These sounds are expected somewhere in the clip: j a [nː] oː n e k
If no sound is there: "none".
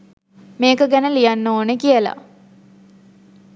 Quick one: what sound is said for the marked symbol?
nː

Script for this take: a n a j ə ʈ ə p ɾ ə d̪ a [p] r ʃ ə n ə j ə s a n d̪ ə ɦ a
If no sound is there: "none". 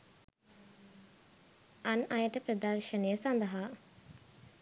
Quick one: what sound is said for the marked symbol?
none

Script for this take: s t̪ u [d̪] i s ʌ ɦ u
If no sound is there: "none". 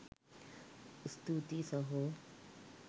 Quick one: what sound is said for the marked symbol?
t̪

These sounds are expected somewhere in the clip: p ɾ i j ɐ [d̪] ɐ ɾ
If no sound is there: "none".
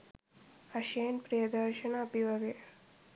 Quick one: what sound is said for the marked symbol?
d̪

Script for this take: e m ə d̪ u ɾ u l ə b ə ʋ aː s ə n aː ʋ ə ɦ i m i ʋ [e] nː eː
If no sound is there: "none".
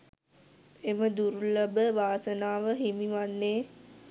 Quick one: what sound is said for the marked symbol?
a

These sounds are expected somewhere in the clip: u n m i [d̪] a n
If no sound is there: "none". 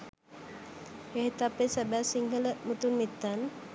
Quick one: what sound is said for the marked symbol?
t̪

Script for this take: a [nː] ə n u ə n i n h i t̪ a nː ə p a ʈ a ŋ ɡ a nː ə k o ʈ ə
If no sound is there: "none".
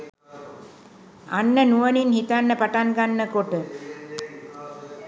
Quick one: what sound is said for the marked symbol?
nː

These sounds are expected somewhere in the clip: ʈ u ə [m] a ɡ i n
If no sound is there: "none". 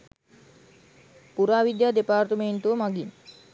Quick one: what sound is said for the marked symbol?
m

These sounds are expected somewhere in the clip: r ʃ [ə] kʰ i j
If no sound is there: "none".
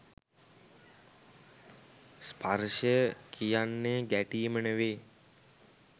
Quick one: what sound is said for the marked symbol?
ə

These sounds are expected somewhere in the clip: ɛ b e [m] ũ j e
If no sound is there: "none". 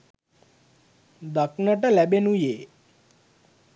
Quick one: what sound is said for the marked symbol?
n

